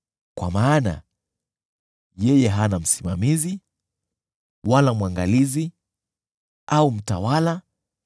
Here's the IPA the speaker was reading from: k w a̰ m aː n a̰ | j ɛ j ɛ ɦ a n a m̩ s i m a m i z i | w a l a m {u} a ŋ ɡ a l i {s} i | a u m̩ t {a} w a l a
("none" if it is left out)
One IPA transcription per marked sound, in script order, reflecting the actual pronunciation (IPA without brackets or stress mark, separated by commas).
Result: w, z, a